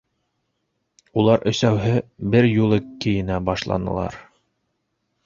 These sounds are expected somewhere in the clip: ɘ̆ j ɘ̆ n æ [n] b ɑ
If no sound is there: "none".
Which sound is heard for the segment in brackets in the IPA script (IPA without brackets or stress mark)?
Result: none